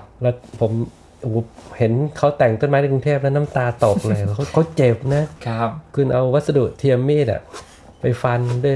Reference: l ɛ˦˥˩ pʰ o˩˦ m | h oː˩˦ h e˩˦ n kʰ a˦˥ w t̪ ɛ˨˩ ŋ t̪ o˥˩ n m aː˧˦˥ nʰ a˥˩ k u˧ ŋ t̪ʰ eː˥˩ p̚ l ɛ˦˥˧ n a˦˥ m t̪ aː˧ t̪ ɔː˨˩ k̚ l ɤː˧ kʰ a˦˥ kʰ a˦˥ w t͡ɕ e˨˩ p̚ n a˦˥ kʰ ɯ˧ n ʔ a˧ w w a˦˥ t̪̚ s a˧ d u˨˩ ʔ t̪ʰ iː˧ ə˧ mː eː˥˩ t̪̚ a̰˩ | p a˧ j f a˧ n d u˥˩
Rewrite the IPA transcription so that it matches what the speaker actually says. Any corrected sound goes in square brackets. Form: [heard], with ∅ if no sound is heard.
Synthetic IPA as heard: l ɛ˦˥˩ pʰ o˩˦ m | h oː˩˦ h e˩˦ n kʰ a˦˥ w t̪ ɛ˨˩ ŋ t̪ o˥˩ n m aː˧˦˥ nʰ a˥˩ k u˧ ŋ t̪ʰ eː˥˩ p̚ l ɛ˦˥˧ n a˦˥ m t̪ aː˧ t̪ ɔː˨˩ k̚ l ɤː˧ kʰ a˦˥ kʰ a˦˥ w t͡ɕ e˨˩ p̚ n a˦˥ kʰ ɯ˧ n ʔ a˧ w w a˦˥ t̪̚ s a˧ d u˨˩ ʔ t̪ʰ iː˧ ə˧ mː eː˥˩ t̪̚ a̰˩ | p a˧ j f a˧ n d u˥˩